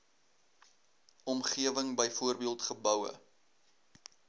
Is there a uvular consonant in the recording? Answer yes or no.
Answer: yes